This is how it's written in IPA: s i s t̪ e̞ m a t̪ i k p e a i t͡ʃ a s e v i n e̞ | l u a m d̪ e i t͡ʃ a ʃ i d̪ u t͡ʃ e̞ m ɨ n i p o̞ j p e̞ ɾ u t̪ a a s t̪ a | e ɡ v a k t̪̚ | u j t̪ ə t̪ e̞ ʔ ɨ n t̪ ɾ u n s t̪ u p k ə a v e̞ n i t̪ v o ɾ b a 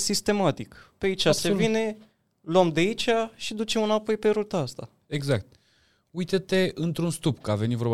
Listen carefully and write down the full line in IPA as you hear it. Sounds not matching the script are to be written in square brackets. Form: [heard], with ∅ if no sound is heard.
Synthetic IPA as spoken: s i s t̪ e̞ m a t̪ i k p e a i t͡ʃ a s e v i n e̞ | l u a m d̪ e i t͡ʃ a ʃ i d̪ u t͡ʃ e̞ m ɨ n [a] p o̞ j p e̞ ɾ u t̪ a a s t̪ a | e ɡ [z] a k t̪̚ | u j t̪ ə t̪ e̞ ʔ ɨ n t̪ ɾ u n s t̪ u p k ə a v e̞ n i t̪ v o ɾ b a